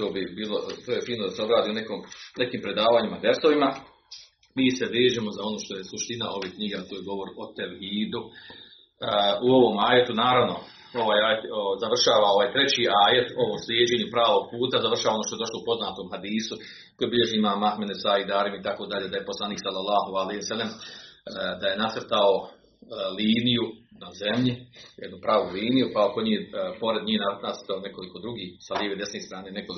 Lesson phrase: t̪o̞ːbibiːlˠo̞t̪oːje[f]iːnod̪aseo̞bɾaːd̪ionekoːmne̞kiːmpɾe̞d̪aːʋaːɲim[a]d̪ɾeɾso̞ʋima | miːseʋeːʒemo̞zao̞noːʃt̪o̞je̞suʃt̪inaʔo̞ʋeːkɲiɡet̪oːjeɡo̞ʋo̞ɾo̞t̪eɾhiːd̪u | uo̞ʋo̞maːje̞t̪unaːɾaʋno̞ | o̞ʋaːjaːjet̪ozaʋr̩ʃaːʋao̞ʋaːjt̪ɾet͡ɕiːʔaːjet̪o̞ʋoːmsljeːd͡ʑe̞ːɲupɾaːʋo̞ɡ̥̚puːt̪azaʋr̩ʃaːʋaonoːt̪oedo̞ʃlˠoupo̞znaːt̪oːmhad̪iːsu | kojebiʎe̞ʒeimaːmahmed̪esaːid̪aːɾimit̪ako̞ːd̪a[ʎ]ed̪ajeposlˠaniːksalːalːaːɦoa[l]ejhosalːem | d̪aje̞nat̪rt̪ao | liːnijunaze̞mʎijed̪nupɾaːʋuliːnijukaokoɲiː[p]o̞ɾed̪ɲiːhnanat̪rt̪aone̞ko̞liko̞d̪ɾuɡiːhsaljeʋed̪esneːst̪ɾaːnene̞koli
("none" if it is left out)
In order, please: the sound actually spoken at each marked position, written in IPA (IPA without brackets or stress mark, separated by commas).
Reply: f, a, ʎ, l, p